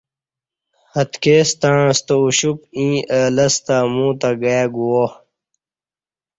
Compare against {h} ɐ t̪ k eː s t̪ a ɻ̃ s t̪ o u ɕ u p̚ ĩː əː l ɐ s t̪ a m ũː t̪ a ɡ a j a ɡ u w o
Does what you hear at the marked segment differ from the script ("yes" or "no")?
no